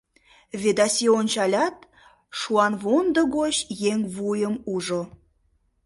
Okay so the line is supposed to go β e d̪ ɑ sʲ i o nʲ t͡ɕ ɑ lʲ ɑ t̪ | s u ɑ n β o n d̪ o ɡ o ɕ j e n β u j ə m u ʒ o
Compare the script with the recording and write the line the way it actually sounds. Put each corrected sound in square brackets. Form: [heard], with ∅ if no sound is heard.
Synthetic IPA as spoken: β e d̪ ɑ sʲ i o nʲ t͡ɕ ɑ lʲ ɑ t̪ | [ʃ] u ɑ n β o n d̪ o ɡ o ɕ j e [ŋ] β u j ə m u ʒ o